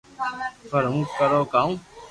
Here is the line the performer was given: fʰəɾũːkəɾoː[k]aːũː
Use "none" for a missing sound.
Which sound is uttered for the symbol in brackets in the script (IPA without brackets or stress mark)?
k